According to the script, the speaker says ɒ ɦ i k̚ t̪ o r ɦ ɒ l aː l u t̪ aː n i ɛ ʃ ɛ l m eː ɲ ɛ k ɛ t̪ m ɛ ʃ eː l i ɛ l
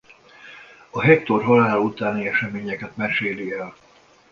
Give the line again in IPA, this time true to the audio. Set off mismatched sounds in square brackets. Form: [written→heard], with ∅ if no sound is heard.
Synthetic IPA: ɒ ɦ [i→ɛ] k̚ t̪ o r ɦ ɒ l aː l u t̪ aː n i ɛ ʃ ɛ [l→∅] m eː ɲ ɛ k ɛ t̪ m ɛ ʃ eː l i ɛ l

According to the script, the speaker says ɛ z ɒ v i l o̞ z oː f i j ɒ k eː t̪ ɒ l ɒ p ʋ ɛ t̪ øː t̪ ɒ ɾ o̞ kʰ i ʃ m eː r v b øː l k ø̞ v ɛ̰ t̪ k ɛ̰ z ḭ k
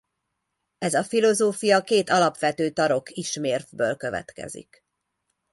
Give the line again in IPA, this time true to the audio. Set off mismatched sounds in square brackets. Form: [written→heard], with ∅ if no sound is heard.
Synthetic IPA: ɛ z ɒ [v→f] i l o̞ z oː f i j ɒ k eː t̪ ɒ l ɒ p ʋ ɛ t̪ øː t̪ ɒ ɾ o̞ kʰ i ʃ m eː r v b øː l k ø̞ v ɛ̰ t̪ k ɛ̰ z ḭ k

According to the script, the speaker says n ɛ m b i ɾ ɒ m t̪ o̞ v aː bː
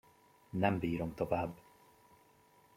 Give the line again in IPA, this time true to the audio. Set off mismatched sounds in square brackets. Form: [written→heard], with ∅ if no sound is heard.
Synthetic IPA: n ɛ m b [i→iː] ɾ [ɒ→o] m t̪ o̞ v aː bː

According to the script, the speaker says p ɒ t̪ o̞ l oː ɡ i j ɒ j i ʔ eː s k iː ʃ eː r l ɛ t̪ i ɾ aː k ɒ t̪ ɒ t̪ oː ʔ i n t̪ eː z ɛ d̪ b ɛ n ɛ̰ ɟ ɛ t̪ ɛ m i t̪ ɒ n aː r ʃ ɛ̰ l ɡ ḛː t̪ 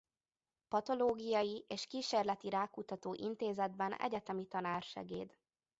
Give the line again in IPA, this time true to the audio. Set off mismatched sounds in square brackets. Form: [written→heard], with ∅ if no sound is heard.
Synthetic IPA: p ɒ t̪ o̞ l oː ɡ i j ɒ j i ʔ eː [s→ʃ] k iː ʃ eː r l ɛ t̪ i ɾ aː k [ɒ→u] t̪ ɒ t̪ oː ʔ i n t̪ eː z ɛ d̪ b ɛ n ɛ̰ ɟ ɛ t̪ ɛ m i t̪ ɒ n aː r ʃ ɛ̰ [l→∅] ɡ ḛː [t̪→d̪]

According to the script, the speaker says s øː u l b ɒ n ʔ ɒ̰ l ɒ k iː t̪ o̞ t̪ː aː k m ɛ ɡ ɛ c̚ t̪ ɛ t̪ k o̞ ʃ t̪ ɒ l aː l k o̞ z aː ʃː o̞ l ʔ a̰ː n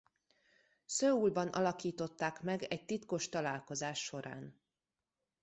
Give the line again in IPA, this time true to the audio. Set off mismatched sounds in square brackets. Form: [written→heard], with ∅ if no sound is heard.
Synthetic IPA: s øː u l b ɒ n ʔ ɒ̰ l ɒ k iː t̪ o̞ t̪ː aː k m ɛ ɡ ɛ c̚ t̪ [ɛ→i] t̪ k o̞ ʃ t̪ ɒ l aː l k o̞ z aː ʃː o̞ [l→ɾ] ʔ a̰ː n

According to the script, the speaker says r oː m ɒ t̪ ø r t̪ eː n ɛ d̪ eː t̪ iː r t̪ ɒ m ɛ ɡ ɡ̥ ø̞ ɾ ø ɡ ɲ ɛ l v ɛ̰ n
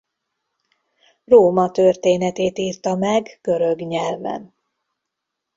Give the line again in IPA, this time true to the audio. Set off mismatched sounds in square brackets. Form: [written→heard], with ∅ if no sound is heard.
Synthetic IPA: r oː m ɒ t̪ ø r t̪ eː n ɛ [d̪→t̪] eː t̪ iː r t̪ ɒ m ɛ ɡ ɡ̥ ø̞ ɾ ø ɡ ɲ ɛ l v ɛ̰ n

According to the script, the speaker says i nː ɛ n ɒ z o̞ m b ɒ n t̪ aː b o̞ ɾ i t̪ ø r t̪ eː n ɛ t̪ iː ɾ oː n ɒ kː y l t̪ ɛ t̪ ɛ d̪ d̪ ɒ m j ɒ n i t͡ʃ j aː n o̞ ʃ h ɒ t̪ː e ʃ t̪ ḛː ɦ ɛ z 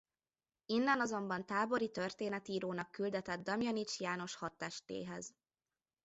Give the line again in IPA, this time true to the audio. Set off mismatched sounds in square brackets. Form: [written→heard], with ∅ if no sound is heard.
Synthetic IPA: i nː ɛ n ɒ z o̞ m b ɒ n t̪ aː b o̞ ɾ i t̪ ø r t̪ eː n ɛ t̪ iː ɾ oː n ɒ kː y l [t̪→d̪] ɛ t̪ ɛ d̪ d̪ ɒ m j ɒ n i t͡ʃ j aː n o̞ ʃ h ɒ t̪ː [e→ɛ] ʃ t̪ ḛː ɦ ɛ z

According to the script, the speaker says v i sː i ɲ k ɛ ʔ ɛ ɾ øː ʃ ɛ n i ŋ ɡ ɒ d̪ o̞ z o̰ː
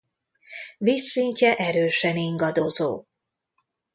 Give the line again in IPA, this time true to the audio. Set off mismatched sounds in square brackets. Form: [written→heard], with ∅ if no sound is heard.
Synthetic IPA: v i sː i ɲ [k→c] ɛ ʔ ɛ ɾ øː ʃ ɛ n i ŋ ɡ ɒ d̪ o̞ z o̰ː

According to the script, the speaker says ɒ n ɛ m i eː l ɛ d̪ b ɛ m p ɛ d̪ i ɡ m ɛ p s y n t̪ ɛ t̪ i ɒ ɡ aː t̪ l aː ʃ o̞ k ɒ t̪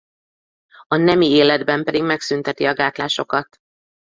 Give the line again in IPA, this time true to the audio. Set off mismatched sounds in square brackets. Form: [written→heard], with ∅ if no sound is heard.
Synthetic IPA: ɒ n ɛ m i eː l ɛ d̪ b ɛ m p ɛ d̪ i ɡ m ɛ [p→k] s y n t̪ ɛ t̪ i ɒ ɡ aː t̪ l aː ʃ o̞ k ɒ t̪

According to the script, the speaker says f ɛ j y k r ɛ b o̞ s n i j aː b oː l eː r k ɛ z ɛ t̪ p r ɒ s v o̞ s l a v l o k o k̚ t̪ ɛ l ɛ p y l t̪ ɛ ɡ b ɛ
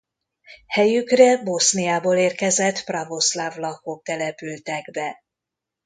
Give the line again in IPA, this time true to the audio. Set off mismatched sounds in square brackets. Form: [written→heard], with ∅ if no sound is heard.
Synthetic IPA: [f→h] ɛ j y k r ɛ b o̞ s n i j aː b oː l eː r k ɛ z ɛ t̪ p r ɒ [s→∅] v o̞ s l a v l [o→ɒ] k o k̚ t̪ ɛ l ɛ p y l t̪ ɛ ɡ b ɛ

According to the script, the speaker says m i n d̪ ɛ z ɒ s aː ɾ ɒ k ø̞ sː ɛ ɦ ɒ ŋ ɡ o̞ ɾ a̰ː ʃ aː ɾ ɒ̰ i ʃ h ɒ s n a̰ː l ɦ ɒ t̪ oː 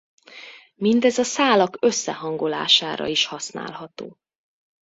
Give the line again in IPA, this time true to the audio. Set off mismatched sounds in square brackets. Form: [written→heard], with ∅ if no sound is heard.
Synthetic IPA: m i n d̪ ɛ z ɒ s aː [ɾ→l] ɒ k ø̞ sː ɛ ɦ ɒ ŋ ɡ o̞ [ɾ→l] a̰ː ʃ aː ɾ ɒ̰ i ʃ h ɒ s n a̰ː l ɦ ɒ t̪ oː

